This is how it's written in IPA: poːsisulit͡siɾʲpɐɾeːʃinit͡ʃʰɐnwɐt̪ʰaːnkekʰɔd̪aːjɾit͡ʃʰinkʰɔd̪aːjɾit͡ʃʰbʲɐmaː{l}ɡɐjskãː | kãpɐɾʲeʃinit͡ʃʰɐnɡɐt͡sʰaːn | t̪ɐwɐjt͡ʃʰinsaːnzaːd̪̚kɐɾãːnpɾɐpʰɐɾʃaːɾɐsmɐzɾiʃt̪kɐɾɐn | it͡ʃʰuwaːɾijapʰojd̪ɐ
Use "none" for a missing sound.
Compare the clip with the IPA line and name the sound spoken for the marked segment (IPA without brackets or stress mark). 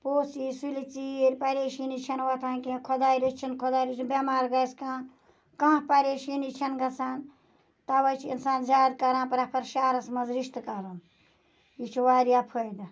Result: ɾ